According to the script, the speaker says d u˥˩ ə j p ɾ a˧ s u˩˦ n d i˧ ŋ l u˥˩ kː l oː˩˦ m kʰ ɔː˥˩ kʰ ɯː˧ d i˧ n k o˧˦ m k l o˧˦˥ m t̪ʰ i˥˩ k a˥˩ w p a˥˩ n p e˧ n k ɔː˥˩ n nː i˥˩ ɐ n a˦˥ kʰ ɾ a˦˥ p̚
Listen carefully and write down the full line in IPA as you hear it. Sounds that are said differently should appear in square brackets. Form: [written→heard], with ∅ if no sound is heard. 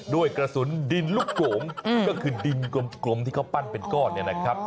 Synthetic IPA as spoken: d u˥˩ ə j [p→k] ɾ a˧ s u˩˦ n d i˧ [ŋ→n] l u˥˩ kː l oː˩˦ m [kʰ→k] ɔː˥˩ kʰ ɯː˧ d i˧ n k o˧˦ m k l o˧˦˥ m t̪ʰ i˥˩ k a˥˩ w p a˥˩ n p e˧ n k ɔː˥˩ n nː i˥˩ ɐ n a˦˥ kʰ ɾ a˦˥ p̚